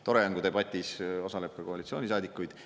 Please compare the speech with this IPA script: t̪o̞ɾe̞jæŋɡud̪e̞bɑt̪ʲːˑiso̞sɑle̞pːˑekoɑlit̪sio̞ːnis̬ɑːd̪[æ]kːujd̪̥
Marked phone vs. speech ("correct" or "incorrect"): incorrect